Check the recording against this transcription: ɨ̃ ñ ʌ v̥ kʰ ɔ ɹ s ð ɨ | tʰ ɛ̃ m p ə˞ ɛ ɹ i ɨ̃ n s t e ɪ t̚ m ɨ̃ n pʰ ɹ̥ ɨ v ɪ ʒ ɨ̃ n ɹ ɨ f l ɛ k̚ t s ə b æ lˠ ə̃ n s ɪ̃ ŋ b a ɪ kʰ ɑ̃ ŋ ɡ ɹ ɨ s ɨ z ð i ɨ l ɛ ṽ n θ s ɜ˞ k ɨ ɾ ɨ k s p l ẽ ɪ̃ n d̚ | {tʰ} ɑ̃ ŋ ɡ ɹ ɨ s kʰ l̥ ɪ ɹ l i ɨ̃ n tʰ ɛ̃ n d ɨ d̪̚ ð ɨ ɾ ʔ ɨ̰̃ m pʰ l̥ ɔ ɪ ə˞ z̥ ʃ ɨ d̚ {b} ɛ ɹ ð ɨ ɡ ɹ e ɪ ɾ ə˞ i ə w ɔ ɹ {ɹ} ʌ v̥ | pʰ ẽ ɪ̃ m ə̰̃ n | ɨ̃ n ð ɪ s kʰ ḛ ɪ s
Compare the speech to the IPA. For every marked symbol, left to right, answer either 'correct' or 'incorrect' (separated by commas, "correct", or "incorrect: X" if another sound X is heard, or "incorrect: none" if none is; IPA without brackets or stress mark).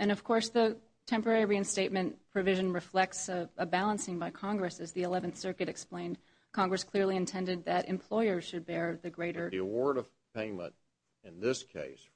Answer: incorrect: kʰ, correct, incorrect: ɾ